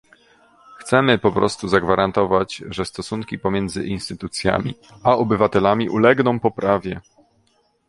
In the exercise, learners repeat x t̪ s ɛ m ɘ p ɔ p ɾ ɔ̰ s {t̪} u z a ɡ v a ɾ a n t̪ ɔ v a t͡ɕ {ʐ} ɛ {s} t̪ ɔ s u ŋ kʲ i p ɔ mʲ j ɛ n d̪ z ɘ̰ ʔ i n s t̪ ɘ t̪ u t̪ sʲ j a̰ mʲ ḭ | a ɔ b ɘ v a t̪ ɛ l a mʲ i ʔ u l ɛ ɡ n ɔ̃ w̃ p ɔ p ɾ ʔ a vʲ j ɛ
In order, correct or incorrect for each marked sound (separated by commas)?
correct, correct, correct